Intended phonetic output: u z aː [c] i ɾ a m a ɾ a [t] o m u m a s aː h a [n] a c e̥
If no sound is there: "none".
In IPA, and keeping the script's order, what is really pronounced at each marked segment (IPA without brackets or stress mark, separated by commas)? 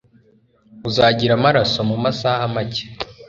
ɟ, s, m